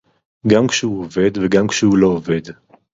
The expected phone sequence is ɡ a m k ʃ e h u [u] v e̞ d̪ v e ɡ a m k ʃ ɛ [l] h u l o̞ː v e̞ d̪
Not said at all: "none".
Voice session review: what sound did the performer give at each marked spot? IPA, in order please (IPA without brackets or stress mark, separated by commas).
o, none